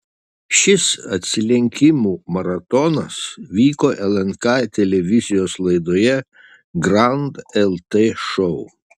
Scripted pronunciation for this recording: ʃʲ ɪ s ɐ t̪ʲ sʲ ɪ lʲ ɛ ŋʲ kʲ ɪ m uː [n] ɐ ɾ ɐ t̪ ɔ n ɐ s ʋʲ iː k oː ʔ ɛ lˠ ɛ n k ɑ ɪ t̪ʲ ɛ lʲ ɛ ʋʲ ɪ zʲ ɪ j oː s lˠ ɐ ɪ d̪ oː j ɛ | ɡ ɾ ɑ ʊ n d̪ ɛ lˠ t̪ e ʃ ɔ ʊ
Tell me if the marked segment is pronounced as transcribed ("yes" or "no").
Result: no